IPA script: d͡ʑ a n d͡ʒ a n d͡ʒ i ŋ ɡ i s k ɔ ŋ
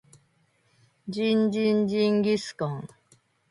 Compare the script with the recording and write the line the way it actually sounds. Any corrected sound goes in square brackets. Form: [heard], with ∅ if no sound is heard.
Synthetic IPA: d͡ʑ [i] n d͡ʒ [i] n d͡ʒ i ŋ ɡ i s k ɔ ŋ